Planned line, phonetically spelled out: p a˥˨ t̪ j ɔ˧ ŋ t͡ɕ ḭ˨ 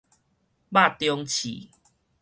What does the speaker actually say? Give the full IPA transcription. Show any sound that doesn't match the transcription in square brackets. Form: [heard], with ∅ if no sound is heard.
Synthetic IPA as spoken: [b] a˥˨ t̪ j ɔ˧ ŋ [t͡ɕʰ] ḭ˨